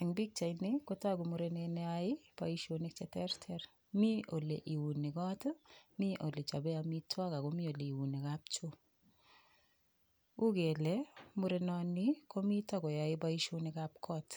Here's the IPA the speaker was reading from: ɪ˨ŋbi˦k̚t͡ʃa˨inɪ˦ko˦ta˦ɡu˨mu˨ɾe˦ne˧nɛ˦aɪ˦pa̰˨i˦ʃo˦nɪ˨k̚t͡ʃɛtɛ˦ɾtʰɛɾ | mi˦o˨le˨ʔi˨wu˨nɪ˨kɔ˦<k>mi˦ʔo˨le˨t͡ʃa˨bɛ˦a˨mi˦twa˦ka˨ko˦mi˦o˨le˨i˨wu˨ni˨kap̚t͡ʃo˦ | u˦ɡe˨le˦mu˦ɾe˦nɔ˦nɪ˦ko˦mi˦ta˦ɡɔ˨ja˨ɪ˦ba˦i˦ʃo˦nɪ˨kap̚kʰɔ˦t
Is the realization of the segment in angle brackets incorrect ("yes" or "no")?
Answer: yes